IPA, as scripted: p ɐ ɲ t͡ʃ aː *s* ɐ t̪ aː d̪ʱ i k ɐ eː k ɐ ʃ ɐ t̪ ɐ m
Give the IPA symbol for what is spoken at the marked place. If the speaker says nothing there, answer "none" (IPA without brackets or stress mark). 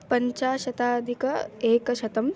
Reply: ʃ